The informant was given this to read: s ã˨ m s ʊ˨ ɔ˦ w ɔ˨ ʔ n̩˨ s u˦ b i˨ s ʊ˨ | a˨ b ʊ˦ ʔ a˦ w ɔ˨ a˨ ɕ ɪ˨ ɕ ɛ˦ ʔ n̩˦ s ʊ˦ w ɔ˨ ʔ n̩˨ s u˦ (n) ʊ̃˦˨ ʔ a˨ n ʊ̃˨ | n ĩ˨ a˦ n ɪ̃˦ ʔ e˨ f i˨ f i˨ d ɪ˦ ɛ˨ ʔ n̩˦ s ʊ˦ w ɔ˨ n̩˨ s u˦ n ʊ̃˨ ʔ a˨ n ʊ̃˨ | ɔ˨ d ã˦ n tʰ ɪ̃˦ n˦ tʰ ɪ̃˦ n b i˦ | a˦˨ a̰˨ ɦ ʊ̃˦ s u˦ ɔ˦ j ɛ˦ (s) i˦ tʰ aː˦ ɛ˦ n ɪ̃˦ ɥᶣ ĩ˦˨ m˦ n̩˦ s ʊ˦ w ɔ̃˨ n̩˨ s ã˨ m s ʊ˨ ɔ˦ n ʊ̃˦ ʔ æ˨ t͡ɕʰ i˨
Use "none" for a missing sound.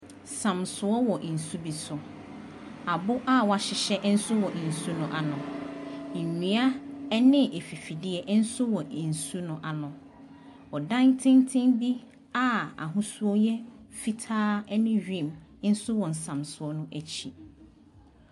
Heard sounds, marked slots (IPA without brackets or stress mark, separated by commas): n, f